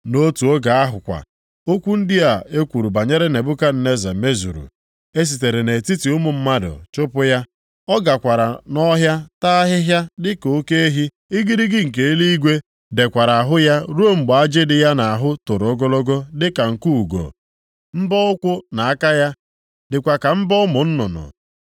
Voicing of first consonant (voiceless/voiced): voiced